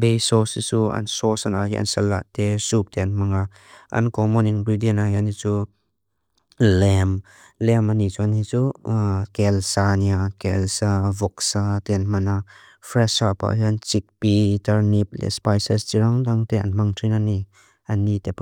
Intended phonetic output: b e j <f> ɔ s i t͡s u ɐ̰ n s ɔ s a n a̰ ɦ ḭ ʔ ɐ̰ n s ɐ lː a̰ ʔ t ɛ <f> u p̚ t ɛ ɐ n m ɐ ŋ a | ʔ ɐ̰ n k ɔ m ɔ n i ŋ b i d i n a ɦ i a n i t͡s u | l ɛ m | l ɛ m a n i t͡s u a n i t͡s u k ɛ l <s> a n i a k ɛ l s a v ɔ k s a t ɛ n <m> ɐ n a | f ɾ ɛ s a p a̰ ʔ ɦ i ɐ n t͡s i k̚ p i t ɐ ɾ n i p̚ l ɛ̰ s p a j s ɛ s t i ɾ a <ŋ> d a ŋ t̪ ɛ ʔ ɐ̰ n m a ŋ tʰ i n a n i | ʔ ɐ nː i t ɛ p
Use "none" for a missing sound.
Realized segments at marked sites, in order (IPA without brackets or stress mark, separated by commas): s, s, s, m, ŋ